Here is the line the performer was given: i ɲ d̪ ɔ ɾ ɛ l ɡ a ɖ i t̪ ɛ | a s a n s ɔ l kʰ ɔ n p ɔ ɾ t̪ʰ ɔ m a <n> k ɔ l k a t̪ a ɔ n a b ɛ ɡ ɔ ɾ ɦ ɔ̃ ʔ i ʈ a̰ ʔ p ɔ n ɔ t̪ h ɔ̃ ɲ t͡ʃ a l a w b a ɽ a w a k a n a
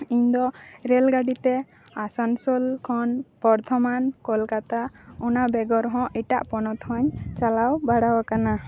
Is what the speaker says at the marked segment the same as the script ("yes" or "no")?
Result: yes